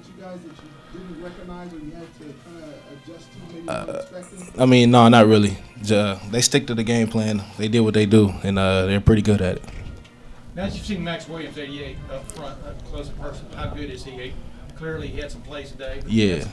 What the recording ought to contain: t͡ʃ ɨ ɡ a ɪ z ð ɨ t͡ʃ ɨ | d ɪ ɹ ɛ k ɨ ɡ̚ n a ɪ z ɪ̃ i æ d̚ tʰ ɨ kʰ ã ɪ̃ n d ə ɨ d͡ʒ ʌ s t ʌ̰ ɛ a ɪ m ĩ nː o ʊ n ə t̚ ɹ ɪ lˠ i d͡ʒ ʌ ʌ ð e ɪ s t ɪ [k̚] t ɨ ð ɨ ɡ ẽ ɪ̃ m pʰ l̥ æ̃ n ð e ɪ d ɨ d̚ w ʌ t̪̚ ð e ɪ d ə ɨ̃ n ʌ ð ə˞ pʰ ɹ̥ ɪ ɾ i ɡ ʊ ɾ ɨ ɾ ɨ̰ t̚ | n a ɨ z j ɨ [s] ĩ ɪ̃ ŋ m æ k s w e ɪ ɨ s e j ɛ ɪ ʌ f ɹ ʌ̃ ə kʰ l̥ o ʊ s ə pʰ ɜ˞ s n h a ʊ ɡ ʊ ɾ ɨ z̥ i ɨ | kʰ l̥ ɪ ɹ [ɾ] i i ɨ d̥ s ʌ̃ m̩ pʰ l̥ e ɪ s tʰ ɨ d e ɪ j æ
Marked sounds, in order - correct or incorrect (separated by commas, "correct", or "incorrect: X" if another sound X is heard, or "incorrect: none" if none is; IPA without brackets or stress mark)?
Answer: correct, correct, incorrect: l